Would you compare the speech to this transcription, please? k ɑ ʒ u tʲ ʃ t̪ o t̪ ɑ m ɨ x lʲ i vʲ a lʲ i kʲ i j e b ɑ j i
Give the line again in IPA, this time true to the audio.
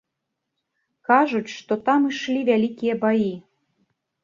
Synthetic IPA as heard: k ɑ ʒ u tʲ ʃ t̪ o t̪ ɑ m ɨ ʃ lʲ i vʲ æ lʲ i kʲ i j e b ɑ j i